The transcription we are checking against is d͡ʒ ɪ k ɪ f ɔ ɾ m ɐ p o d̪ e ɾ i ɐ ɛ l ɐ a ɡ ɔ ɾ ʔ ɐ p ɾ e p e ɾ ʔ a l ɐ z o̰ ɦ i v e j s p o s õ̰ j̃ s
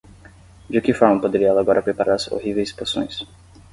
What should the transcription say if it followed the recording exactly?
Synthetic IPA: d͡ʒ ɪ k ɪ f ɔ ɾ m ɐ p o d̪ e ɾ i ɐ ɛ l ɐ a ɡ ɔ ɾ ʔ ɐ p ɾ e p a ɾ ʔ a ɾ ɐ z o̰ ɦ i v e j s p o s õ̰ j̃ s